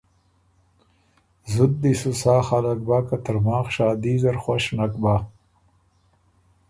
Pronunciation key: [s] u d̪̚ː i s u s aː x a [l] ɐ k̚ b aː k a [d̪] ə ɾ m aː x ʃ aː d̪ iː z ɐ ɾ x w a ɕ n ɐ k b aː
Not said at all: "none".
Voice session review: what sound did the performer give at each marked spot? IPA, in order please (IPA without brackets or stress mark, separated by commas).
z, l, t̪